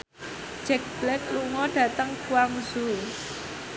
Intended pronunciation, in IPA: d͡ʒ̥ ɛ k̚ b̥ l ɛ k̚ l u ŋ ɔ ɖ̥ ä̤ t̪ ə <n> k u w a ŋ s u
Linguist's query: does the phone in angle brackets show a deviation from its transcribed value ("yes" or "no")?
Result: yes